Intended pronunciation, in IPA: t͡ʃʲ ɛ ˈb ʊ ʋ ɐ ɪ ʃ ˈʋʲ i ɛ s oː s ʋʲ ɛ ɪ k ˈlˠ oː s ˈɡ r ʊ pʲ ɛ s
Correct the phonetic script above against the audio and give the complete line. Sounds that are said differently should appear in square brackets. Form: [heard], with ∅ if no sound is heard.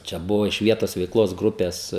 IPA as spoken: t͡ʃʲ ɛ ˈb ʊ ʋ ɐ ɪ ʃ ˈʋʲ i ɛ [t] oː s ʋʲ ɛ ɪ k ˈlˠ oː s ˈɡ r ʊ pʲ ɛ s